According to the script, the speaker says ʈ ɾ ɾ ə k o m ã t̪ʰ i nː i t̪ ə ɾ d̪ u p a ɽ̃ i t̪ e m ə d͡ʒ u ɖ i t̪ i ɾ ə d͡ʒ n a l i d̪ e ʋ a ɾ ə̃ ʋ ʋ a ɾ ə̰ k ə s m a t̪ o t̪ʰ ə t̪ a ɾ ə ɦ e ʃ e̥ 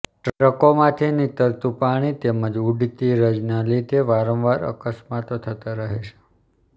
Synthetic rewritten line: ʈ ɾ ɾ ə k o m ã t̪ʰ i n i t̪ ə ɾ t̪ u p a ɽ̃ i t̪ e m ə d͡ʒ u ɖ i t̪ i ɾ ə d͡ʒ n a l i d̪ e ʋ a ɾ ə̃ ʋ ʋ a ɾ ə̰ k ə s m a t̪ o t̪ʰ ə t̪ a ɾ ə ɦ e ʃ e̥